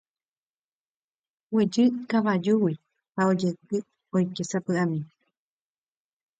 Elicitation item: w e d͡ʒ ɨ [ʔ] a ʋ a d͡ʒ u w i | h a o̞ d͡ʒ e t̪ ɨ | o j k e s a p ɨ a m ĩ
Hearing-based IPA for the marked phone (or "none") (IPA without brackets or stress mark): k